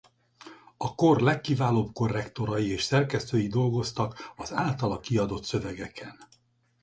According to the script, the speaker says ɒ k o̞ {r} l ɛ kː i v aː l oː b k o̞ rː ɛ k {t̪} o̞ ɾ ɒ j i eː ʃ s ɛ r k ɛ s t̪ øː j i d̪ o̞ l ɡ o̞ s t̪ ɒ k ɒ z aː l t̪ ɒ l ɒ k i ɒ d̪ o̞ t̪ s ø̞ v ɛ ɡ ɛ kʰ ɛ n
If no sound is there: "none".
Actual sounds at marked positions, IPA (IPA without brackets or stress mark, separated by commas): r, t̪